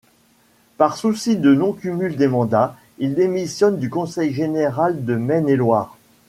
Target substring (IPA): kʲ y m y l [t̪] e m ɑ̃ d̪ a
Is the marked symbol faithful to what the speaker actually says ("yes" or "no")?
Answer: no